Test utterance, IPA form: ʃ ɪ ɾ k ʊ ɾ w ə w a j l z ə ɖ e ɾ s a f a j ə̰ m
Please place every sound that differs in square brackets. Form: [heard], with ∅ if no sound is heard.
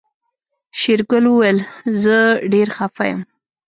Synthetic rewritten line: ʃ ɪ ɾ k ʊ [l] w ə w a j l z ə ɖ e ɾ [x] a f a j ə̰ m